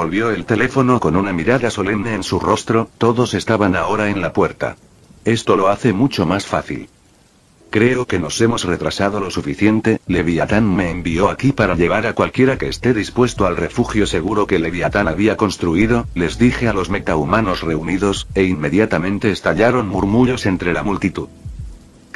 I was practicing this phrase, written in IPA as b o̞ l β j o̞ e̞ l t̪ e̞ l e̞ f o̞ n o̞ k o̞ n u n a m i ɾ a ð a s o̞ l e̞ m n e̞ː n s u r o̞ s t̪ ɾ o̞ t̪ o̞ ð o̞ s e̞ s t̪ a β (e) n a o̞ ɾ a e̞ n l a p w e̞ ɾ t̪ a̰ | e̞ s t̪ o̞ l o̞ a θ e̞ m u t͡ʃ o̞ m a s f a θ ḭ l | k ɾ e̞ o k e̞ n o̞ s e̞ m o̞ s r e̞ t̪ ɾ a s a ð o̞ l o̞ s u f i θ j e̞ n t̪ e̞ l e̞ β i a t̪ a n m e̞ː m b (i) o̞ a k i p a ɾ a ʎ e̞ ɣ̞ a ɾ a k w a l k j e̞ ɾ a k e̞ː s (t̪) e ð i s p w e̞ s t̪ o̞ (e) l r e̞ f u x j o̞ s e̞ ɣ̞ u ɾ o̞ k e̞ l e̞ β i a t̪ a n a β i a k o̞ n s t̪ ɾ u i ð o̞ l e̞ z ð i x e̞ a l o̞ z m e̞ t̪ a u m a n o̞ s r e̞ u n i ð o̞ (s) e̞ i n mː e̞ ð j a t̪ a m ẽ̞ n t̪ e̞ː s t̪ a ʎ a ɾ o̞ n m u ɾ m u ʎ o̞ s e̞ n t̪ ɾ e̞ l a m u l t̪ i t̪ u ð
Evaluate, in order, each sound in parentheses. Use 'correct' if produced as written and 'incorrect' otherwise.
incorrect: a, correct, correct, incorrect: a, correct

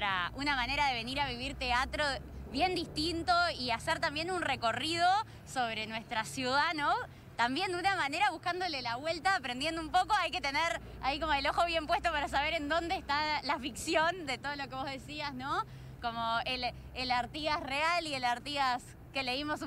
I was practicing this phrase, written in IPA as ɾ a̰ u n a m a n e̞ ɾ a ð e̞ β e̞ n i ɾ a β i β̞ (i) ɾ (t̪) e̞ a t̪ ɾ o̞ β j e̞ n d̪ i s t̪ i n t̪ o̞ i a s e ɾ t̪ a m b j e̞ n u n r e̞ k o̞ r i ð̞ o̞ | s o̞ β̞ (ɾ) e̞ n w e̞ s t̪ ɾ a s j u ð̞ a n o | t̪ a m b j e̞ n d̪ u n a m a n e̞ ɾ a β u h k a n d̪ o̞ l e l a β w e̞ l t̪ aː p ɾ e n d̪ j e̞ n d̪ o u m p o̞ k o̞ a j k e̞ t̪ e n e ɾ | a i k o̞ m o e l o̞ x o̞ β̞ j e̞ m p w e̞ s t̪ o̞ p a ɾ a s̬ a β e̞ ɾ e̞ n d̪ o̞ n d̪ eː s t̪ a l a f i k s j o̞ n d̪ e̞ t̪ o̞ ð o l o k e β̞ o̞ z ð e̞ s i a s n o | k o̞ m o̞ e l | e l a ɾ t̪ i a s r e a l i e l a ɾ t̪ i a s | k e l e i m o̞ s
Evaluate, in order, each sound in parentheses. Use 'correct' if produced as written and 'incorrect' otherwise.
correct, correct, correct

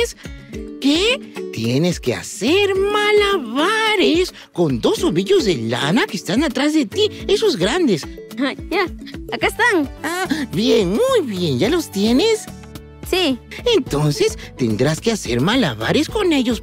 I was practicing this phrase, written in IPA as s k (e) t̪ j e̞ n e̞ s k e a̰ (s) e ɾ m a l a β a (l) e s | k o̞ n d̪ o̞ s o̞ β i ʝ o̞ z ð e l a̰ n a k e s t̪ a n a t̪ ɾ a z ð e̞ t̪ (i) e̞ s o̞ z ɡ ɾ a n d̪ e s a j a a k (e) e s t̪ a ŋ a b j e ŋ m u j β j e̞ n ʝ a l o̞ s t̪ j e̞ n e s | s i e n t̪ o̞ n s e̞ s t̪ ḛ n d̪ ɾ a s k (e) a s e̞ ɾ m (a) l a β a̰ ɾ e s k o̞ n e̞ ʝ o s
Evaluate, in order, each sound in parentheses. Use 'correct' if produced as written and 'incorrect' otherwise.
correct, correct, incorrect: ɾ, correct, incorrect: a, correct, correct

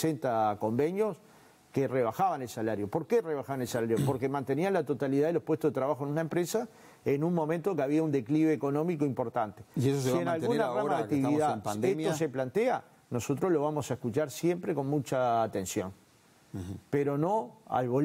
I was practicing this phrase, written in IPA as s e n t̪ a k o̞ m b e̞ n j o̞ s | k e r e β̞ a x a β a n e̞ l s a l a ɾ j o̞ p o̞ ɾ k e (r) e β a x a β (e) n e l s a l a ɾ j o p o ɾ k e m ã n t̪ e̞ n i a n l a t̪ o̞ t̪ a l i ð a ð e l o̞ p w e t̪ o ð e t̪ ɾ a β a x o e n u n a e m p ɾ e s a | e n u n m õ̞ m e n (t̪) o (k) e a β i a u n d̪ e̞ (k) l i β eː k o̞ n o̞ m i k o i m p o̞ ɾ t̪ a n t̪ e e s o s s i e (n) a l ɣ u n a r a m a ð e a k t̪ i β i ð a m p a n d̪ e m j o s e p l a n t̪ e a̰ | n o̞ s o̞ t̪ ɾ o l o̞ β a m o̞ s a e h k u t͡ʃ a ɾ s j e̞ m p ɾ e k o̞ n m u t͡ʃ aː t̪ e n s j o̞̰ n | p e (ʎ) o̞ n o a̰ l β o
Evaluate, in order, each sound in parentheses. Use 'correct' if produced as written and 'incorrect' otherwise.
correct, incorrect: a, correct, correct, correct, correct, incorrect: ɾ

